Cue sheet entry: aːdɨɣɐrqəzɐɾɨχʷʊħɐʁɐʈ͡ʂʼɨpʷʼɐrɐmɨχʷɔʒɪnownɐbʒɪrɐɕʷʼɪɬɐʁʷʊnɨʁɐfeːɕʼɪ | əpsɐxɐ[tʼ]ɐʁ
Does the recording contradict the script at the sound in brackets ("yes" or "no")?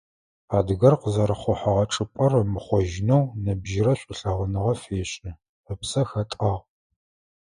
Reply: no